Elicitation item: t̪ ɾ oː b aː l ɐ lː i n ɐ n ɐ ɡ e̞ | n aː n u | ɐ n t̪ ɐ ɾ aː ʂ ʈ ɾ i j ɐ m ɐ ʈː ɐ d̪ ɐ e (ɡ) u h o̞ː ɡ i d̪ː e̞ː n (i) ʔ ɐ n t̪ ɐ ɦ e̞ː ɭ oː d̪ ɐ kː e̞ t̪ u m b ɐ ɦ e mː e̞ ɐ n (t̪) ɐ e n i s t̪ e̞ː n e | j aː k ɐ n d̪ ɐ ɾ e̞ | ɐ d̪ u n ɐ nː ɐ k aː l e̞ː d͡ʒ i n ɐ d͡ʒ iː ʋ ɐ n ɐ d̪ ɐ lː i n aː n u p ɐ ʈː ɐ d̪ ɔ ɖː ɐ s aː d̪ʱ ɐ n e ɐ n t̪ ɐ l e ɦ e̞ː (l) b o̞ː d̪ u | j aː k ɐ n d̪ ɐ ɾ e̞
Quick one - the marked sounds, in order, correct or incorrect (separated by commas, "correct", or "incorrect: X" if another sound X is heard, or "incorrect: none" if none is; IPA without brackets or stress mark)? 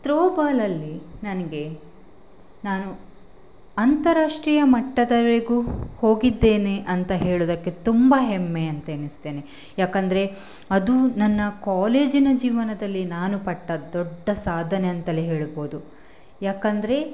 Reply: correct, incorrect: e, correct, incorrect: ɭ